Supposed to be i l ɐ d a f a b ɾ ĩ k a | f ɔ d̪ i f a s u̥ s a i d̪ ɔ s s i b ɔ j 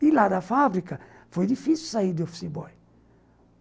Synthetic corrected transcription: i l a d a f a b ɾ i k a | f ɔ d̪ i f i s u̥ s a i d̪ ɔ f s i b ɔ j